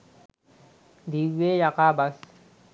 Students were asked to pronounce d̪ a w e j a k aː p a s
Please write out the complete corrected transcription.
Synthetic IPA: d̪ i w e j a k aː b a s